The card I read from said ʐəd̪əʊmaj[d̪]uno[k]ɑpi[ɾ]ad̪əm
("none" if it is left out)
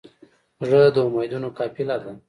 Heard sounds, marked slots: d̪, k, l

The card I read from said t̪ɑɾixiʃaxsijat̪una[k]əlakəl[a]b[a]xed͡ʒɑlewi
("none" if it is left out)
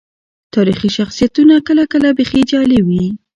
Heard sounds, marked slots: k, a, e

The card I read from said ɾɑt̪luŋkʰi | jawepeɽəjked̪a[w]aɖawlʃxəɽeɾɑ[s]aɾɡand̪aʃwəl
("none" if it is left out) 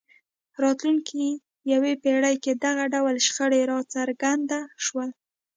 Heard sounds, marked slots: ɣ, t͡s

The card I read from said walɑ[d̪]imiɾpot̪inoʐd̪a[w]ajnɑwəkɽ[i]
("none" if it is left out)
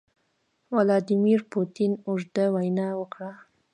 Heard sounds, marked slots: d̪, w, a

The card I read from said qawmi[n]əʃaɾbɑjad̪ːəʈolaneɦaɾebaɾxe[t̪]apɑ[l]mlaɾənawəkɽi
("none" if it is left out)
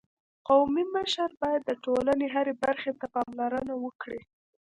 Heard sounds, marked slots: m, t̪, none

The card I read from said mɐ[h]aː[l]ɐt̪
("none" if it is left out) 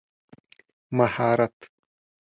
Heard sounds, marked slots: h, ɾ

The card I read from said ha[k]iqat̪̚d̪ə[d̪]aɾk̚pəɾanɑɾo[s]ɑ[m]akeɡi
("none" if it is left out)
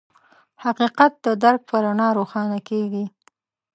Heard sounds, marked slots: q, d̪, x, n

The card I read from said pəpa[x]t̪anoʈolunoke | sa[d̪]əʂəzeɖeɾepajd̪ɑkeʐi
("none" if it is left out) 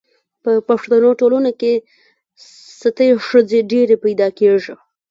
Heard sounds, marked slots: ʂ, t̪

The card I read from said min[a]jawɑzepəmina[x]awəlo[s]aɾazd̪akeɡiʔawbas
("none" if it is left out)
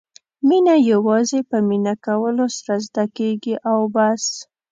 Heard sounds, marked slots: a, k, s

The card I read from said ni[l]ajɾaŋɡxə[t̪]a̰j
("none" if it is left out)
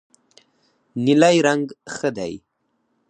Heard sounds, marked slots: l, d̪

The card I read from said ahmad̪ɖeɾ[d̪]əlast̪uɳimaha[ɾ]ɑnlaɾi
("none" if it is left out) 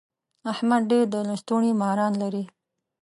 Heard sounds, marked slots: d̪, ɾ

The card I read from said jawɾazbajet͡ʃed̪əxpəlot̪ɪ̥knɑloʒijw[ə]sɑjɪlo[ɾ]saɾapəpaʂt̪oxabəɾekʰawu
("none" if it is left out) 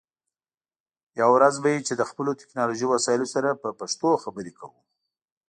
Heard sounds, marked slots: a, none

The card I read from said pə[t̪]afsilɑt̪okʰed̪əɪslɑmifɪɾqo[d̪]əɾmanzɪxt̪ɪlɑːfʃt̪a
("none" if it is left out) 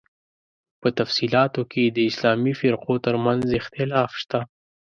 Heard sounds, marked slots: t̪, t̪

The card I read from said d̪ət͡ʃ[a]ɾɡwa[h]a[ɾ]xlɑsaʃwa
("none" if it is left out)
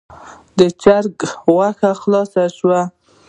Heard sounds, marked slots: a, x, none

